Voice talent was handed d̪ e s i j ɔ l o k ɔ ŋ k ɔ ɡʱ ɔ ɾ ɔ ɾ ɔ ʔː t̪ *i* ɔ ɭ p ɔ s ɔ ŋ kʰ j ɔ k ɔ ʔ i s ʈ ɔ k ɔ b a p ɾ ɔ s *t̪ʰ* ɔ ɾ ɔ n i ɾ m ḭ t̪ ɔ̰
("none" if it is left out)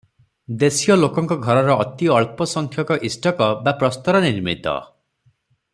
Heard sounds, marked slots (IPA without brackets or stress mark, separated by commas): i, t̪